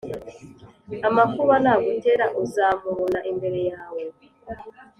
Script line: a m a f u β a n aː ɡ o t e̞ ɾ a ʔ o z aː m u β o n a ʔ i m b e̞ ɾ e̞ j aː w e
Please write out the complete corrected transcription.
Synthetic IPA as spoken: a m a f u β a n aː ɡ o t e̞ ɾ a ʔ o z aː m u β o n a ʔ i m b e̞ ɾ e̞ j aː w e